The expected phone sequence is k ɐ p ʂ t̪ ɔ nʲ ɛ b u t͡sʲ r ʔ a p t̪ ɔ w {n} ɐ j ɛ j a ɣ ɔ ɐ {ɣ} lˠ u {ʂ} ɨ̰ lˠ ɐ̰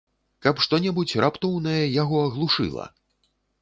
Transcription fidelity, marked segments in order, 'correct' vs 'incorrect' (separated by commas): correct, correct, correct